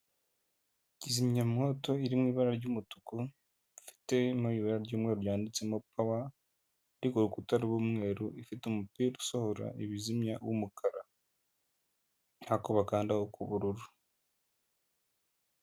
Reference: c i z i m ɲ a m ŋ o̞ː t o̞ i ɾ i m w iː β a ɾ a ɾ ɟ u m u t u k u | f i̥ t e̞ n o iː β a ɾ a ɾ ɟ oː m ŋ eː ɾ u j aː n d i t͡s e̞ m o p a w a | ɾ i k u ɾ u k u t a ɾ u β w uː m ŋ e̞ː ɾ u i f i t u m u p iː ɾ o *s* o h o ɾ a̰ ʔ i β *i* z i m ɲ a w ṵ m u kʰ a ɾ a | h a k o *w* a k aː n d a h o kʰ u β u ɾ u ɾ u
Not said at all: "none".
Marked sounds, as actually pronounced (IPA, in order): s, i, β

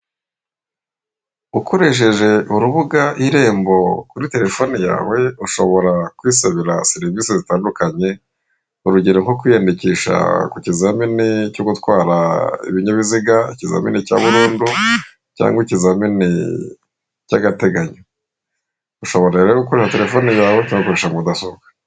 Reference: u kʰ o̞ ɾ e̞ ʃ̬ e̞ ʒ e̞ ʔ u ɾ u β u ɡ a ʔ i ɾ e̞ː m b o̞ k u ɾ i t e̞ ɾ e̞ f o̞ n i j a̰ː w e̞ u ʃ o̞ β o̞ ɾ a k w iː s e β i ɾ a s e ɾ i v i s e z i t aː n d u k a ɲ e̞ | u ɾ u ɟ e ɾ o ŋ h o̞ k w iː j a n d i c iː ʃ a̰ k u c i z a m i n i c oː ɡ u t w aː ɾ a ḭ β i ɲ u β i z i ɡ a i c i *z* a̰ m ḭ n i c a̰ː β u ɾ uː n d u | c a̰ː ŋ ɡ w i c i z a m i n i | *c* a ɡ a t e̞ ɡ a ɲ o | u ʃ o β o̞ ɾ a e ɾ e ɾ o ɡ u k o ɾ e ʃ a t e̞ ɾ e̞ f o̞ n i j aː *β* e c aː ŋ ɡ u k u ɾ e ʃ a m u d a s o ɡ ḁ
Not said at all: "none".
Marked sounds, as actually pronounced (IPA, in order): z, c, w

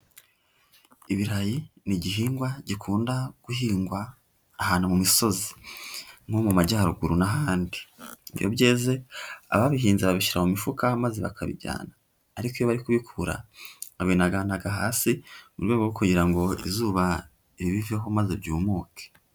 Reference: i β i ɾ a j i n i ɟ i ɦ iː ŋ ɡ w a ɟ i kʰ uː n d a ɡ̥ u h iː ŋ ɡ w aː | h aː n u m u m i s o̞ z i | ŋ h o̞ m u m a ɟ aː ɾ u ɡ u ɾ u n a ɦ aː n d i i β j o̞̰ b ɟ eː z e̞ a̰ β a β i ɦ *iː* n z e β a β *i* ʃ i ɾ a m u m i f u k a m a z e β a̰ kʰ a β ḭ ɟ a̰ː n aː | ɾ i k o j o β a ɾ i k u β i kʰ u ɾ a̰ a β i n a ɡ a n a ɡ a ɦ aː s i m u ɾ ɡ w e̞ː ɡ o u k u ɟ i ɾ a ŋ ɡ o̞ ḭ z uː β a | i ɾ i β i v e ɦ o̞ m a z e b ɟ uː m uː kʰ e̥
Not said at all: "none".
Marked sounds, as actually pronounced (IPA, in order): iː, i

